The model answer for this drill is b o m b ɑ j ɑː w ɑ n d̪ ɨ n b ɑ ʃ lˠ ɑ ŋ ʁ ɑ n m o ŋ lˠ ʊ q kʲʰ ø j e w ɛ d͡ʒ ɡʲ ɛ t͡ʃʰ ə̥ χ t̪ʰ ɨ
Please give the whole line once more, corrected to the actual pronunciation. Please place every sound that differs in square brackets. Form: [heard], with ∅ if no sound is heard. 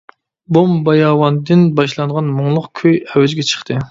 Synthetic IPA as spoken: b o m b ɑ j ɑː w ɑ n d̪ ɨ n b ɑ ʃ lˠ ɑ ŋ ʁ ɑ n m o ŋ lˠ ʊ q kʲʰ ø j [ɛ] w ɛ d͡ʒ ɡʲ ɛ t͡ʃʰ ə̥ χ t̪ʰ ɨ